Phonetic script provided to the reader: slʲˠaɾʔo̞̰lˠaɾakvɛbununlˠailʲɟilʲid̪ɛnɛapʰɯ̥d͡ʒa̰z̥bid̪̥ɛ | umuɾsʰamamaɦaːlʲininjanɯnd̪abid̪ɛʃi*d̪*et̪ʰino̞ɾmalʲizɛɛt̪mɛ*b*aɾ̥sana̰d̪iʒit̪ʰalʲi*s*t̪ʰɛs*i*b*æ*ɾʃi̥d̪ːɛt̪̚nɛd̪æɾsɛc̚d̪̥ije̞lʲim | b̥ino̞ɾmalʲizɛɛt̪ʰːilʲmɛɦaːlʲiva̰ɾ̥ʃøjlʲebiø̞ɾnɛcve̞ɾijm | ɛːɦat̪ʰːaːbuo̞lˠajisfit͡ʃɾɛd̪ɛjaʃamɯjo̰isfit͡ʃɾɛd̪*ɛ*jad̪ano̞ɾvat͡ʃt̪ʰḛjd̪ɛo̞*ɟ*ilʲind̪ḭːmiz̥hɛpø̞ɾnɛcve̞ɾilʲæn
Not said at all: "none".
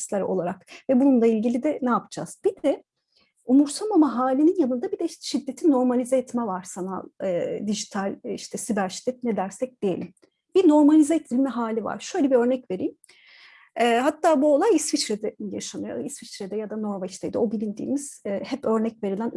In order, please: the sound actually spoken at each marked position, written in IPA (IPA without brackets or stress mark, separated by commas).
d̪ː, v, ʃ, i, æ, ɛ, b